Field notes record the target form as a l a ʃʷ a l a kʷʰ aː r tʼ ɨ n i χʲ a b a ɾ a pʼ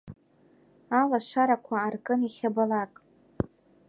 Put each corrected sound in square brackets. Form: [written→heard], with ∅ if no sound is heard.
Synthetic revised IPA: a l a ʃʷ a [l→ɾ] a kʷʰ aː r [tʼ→kʼ] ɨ n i χʲ a b a [ɾ→l] a [pʼ→kʼ]